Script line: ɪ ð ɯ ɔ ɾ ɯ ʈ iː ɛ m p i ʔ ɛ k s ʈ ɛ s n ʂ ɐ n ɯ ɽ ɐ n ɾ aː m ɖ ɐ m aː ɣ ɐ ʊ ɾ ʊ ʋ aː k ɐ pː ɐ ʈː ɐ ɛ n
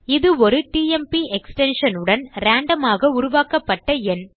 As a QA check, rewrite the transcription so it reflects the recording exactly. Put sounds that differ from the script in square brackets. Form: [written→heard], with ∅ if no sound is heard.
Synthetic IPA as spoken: ɪ ð ɯ ɔ ɾ ɯ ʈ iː ɛ m p i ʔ ɛ k s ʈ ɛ [s→∅] n ʂ ɐ n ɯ ɽ ɐ n ɾ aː [m→ɳ] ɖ ɐ m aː ɣ ɐ ʊ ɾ ʊ ʋ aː k ɐ pː ɐ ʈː ɐ ɛ n